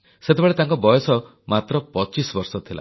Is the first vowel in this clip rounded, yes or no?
no